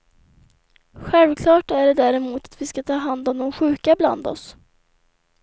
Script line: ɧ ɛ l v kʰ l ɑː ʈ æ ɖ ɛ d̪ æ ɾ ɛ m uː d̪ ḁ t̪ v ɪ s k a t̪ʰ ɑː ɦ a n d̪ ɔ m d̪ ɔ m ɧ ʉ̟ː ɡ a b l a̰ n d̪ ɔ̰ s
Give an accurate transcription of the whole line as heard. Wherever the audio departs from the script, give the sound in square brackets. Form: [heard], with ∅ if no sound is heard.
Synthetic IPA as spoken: ɧ ɛ l v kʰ l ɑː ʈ æ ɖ ɛ d̪ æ ɾ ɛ m uː [t̪] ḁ t̪ v ɪ s k a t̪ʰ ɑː ɦ a n d̪ ɔ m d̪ ɔ m ɧ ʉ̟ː [k] a b l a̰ n d̪ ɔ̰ s